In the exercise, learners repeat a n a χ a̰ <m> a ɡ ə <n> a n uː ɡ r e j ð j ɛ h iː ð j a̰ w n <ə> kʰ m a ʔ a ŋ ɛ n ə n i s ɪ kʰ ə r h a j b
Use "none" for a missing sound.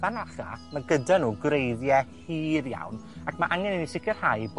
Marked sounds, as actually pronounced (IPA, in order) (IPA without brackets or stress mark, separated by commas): m, d, a